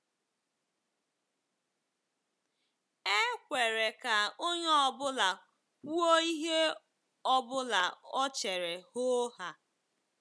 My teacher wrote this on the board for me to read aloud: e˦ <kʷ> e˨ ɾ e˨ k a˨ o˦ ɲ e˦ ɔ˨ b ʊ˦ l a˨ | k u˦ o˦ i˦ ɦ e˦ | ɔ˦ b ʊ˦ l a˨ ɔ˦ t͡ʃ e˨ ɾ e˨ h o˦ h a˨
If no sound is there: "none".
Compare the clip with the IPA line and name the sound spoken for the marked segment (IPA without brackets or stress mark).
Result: kʷ